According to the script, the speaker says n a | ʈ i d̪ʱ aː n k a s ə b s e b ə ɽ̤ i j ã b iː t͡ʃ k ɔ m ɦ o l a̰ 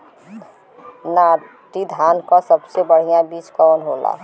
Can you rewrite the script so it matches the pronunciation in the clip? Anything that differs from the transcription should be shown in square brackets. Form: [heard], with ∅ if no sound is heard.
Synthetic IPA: n a | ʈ i d̪ʱ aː n k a s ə b s e b ə ɽ̤ i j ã b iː t͡ʃ k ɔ [n] ɦ o l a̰